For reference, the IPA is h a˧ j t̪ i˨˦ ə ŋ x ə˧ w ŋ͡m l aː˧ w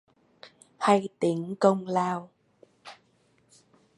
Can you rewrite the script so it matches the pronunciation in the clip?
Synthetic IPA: h a˧ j t̪ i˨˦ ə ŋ k ə˧ w ŋ͡m l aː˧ w